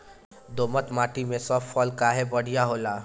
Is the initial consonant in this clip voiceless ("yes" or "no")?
no